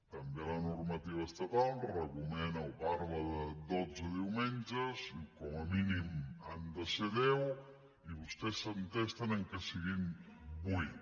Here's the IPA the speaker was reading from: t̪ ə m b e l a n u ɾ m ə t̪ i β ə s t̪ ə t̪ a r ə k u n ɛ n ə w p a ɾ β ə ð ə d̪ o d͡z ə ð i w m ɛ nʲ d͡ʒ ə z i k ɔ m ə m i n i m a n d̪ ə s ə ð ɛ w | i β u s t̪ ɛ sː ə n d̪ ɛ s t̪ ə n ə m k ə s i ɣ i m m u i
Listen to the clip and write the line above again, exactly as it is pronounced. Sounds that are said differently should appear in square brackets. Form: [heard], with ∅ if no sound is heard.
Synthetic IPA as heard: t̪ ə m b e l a n u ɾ m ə t̪ i β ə s t̪ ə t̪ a r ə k u [m] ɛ n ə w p a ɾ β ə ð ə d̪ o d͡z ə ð i w m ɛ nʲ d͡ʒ ə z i k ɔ m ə m i n i m a n d̪ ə s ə ð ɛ w | i β u s t̪ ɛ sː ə n [t̪] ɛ s t̪ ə n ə [ŋ] k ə s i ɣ i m [b] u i

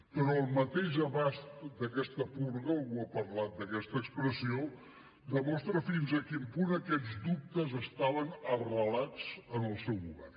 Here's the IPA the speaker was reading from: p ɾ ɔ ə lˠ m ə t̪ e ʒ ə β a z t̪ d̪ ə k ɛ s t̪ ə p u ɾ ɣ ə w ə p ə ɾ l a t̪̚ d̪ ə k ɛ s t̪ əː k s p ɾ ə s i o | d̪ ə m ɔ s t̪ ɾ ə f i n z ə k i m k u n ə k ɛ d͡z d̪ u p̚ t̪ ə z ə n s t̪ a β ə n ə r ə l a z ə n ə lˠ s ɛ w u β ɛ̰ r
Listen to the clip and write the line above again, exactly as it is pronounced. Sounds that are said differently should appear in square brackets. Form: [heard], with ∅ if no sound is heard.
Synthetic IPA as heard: p ɾ ɔ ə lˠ m ə t̪ e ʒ ə β a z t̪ d̪ ə k ɛ s t̪ ə p u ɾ ɣ ə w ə p ə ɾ l a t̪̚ d̪ ə k ɛ s t̪ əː k s p ɾ ə s i o | d̪ ə m ɔ s t̪ ɾ ə f i n z ə k i m [p] u n ə k ɛ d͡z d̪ u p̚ t̪ ə z ə [∅] s t̪ a β ə n ə r ə l a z ə n ə lˠ s ɛ w u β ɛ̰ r

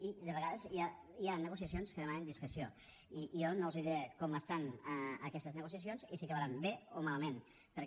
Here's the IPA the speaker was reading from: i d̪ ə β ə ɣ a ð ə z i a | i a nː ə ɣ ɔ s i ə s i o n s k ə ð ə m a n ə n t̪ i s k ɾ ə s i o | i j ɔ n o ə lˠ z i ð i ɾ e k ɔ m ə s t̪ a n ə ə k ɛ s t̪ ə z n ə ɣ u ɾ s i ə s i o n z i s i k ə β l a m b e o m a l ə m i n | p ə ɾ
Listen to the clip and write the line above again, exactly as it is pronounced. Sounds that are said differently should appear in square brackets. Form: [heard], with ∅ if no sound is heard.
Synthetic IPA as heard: i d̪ ə β ə ɣ a ð ə z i a | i a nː ə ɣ [u] s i ə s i o n s k ə ð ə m a n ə n [d̪] i s k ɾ ə s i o | i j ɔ n o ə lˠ z i ð i ɾ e k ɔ m ə s t̪ a n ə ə k ɛ s t̪ ə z n ə ɣ u [∅] s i ə s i o n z i s i k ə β [ɾ] a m b e o m a l ə m [e] n | p ə ɾ

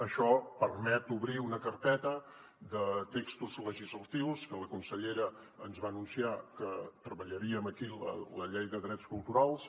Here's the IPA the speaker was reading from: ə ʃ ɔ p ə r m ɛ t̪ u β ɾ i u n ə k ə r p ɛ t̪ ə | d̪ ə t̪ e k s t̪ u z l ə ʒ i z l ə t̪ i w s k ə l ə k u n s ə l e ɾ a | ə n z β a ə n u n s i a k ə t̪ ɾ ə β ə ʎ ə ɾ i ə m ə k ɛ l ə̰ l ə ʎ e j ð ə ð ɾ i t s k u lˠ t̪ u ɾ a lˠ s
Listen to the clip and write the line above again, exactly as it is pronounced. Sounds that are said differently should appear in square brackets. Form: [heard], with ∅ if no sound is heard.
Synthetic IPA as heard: ə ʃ ɔ p ə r m ɛ t̪ u β ɾ i u n ə k ə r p ɛ t̪ ə | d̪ ə t̪ e k s t̪ u z l ə ʒ i z l ə t̪ i w s k ə l ə k u n s ə [ʎ] e ɾ [ə] | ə n z β a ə n u n s i a k ə t̪ ɾ ə β ə ʎ ə ɾ i ə m ə k [i] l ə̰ l ə ʎ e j ð ə ð ɾ [ɛ] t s k u lˠ t̪ u ɾ a lˠ s

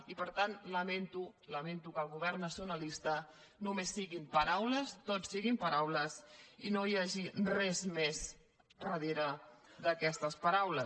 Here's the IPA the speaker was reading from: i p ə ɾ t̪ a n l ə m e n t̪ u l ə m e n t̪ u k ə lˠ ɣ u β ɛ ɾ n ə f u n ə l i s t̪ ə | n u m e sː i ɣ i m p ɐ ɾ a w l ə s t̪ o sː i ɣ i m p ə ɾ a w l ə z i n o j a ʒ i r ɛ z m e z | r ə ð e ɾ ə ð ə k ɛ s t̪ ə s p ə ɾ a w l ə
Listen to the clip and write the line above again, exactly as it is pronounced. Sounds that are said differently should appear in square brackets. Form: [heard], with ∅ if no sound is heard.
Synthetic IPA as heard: i p ə ɾ t̪ a n l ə m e n t̪ u l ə m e n t̪ u k ə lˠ ɣ u β ɛ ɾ n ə [s] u n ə l i s t̪ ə | n u m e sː i ɣ i m p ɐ ɾ a w l ə s t̪ o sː i ɣ i m p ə ɾ a w l ə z i n o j a ʒ i r ɛ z m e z | r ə ð e ɾ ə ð ə k ɛ s t̪ ə s p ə ɾ a w l ə

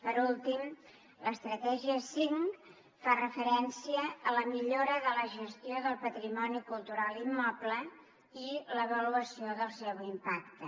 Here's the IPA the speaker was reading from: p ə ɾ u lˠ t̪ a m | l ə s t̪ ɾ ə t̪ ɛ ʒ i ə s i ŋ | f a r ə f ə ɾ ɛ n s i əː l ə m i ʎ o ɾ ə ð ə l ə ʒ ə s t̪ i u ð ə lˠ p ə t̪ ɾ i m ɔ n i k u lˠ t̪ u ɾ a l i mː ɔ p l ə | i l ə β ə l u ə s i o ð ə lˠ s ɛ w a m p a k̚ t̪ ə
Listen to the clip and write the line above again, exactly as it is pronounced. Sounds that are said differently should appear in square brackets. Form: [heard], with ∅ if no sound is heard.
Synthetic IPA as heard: p ə ɾ u lˠ t̪ [i] m | l ə s t̪ ɾ ə t̪ ɛ ʒ i ə s i ŋ | f a r ə f ə ɾ ɛ n s i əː l ə m i ʎ o ɾ ə ð ə l ə ʒ ə s t̪ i [o] ð ə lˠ p ə t̪ ɾ i m ɔ n i k u lˠ t̪ u ɾ a l i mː ɔ p l ə | i l ə β ə l u ə s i o ð ə lˠ s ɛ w [i] m p a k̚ t̪ ə

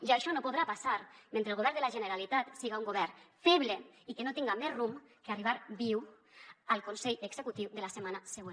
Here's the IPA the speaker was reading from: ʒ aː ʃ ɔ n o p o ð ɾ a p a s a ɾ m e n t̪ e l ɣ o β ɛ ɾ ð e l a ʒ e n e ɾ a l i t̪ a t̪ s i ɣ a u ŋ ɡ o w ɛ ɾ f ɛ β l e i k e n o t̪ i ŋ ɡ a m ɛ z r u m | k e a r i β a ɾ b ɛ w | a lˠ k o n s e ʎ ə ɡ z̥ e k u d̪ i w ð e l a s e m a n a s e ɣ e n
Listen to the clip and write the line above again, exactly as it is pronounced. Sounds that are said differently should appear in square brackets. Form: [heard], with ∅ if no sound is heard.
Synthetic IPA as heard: ʒ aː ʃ ɔ n o p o ð ɾ a p a s a ɾ m e n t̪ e l ɣ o β ɛ ɾ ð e l a ʒ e n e ɾ a l i t̪ a t̪ s i ɣ a u ŋ ɡ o [β] ɛ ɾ f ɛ β l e i k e n o t̪ i ŋ ɡ a m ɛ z r u m | k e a r i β a ɾ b [i] w | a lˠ k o n s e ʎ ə ɡ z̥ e k u [t̪] i w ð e l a s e m a n a s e ɣ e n

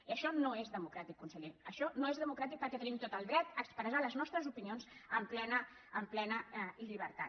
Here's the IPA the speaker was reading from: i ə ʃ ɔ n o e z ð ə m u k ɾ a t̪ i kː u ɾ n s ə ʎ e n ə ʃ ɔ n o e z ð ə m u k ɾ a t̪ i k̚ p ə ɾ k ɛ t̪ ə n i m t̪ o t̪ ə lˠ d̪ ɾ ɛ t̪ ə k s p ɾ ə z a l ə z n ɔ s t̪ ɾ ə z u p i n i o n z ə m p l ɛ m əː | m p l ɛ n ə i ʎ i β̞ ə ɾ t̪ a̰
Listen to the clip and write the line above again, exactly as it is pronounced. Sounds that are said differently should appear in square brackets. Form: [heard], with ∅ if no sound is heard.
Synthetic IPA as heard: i ə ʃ ɔ n o e z ð ə m u k ɾ a t̪ i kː u [∅] n s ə ʎ e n ə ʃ ɔ n o e z ð ə m u k ɾ a t̪ i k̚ p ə ɾ k ɛ t̪ ə n i m t̪ o t̪ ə lˠ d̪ ɾ ɛ t̪ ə k s p ɾ ə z a l ə z n ɔ s t̪ ɾ ə z u p i n i o n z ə m p l ɛ [n] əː | m p l ɛ n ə i ʎ i β̞ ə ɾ t̪ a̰

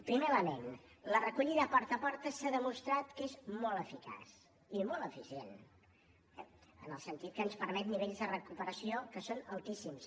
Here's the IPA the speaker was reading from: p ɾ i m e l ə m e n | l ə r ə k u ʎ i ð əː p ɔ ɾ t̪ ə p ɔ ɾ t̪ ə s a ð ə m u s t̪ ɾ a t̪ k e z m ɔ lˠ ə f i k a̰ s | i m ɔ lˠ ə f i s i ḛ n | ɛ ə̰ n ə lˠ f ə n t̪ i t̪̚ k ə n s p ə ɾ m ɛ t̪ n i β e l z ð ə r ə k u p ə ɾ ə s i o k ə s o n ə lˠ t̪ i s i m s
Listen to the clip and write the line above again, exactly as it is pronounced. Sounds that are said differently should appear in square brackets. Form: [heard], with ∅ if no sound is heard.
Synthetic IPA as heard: p ɾ i m e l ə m e n | l ə r ə k u ʎ i ð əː p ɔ ɾ t̪ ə p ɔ ɾ t̪ ə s a ð ə m u s t̪ ɾ a t̪ k e z m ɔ lˠ ə f i k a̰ s | i m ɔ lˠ ə f i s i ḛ n | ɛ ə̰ n ə lˠ [s] ə n t̪ i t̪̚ k ə n s p ə ɾ m ɛ t̪ n i β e [ʎ] z ð ə r ə k u p ə ɾ ə s i o k ə s o n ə lˠ t̪ i s i m s

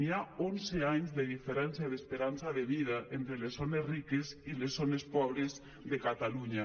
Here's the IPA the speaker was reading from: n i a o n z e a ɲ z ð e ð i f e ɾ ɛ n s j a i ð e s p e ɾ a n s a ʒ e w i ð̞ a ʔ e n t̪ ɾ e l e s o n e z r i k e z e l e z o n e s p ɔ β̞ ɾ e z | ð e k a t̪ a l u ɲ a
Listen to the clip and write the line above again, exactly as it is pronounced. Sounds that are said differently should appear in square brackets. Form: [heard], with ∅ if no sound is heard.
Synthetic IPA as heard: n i a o n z e a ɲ z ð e ð i f e ɾ ɛ n s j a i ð e s p e ɾ a n s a [ð] e [β] i ð̞ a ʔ e n t̪ ɾ e l e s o n e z r i k e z [i] l e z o n e s p ɔ β̞ ɾ e z | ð e k a t̪ a l u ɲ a

